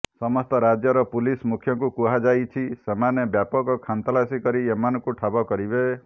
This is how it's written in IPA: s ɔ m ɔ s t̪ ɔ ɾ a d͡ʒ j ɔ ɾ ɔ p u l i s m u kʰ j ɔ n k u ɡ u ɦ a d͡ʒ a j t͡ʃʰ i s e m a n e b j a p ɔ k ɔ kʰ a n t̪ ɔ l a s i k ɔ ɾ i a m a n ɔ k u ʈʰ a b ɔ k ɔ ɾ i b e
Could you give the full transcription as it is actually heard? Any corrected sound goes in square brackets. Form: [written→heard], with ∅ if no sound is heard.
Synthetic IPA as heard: s ɔ m ɔ s t̪ ɔ ɾ a d͡ʒ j ɔ ɾ ɔ p u l i s m u kʰ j ɔ [n→ŋ] k u [ɡ→k] u ɦ a d͡ʒ a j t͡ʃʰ i s e m a n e b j a p ɔ k ɔ kʰ a n t̪ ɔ l a s i k ɔ ɾ i [a→e] m a n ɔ k u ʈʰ a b ɔ k ɔ ɾ i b e